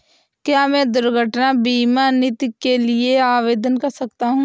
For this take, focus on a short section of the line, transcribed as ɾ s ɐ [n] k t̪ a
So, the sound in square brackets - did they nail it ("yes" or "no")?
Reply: no